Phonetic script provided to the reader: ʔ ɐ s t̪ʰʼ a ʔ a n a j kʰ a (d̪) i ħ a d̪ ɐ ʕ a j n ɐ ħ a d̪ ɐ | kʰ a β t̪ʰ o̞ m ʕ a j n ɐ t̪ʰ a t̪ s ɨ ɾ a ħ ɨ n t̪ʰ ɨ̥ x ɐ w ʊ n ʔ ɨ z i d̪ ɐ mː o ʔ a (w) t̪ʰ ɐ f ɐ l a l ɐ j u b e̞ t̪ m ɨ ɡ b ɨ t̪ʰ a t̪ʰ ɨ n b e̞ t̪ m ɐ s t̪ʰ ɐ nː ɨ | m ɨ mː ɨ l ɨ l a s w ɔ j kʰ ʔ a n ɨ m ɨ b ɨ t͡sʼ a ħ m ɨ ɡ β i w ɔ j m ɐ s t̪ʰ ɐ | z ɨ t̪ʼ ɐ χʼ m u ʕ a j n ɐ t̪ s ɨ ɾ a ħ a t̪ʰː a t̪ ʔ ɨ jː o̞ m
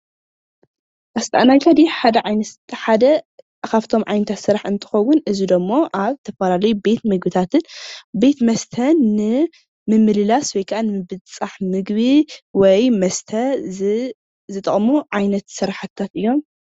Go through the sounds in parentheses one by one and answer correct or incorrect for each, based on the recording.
correct, incorrect

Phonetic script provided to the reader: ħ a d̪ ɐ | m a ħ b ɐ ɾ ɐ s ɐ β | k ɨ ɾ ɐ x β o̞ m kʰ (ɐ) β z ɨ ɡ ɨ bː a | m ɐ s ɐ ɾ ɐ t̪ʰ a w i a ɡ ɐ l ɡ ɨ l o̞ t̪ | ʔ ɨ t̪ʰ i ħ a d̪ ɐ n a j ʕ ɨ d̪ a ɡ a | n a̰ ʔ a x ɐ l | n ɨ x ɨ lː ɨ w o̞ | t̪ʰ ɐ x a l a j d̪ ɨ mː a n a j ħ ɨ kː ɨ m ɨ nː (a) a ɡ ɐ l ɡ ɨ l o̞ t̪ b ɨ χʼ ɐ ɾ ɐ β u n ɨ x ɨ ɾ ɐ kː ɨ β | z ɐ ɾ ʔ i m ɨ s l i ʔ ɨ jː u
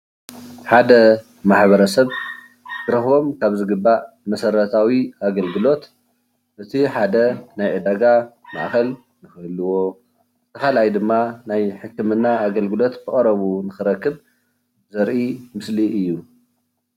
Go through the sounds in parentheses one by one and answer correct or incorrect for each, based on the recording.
incorrect, correct

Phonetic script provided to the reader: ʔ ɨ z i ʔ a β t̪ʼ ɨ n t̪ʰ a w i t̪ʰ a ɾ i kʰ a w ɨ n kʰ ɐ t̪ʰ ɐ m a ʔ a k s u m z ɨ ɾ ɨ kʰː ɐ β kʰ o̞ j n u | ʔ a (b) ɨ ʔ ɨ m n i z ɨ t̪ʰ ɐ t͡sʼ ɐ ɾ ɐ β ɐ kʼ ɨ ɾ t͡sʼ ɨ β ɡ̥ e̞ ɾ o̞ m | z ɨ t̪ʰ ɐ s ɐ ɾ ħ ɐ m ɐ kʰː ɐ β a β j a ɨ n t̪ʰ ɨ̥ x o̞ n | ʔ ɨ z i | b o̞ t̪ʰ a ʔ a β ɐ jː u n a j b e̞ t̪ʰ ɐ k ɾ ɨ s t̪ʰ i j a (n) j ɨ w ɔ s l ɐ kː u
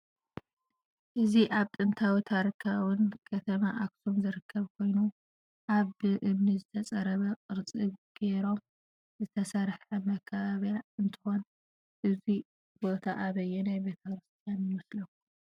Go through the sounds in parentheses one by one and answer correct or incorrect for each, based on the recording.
incorrect, correct

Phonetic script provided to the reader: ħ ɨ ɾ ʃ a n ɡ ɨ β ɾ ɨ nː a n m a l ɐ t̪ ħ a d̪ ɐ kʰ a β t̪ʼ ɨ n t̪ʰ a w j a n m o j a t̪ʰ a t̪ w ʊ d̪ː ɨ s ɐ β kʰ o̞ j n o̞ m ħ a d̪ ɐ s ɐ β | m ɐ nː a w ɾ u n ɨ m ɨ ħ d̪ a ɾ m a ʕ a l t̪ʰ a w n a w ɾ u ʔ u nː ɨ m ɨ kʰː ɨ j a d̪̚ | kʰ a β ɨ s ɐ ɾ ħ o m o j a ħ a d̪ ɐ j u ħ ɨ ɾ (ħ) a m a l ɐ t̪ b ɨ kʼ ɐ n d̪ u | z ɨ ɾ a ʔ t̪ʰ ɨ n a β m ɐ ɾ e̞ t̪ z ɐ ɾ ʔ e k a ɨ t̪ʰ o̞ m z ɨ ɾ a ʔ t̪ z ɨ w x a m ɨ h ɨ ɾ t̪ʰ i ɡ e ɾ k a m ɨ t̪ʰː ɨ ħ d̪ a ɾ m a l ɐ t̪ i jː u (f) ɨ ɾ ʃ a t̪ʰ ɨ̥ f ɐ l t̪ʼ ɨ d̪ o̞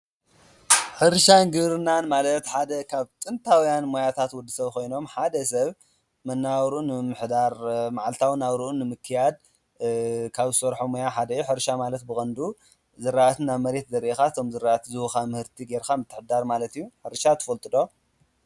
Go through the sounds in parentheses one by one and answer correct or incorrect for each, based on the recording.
incorrect, incorrect

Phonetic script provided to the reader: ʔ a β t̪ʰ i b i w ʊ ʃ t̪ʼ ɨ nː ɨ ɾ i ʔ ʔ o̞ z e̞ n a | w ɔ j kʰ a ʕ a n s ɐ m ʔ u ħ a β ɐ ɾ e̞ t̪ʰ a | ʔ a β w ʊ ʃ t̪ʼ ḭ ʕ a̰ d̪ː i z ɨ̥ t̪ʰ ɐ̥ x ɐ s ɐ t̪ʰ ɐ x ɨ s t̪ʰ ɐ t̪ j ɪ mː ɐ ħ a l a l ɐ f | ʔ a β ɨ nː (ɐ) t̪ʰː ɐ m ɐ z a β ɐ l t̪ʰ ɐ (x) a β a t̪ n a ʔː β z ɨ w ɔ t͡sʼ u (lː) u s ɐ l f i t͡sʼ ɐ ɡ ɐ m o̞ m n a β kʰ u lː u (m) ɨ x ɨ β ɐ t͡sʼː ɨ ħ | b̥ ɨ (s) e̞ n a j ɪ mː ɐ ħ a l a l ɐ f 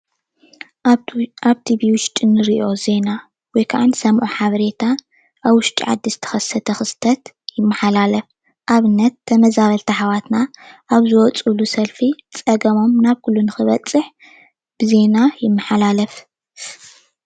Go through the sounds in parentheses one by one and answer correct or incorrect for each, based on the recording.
correct, incorrect, incorrect, incorrect, incorrect

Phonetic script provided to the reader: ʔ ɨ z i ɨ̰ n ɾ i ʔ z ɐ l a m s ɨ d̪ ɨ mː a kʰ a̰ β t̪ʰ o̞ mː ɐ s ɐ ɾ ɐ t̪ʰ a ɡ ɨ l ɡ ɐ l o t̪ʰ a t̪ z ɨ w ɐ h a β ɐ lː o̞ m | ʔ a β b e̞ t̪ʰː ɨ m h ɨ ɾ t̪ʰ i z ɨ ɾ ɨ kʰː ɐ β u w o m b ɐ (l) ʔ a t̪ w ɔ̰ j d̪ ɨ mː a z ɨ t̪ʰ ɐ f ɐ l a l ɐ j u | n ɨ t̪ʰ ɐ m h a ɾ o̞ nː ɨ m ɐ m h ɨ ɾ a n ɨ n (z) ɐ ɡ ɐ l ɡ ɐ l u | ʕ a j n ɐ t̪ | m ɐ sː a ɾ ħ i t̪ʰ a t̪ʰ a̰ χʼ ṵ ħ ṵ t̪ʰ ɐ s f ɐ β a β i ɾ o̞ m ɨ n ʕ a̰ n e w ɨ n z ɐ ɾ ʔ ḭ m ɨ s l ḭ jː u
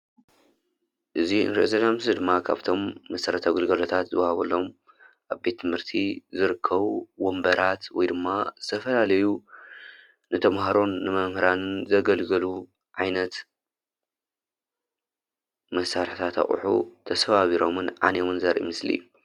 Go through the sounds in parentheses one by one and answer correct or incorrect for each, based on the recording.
incorrect, correct

